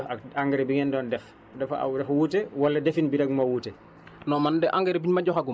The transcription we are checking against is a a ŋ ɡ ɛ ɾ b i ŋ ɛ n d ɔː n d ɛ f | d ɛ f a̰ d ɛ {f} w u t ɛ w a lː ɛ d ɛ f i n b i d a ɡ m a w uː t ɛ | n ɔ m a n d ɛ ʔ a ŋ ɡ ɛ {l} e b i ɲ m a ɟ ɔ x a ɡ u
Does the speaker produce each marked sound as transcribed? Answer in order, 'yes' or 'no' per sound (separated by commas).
yes, no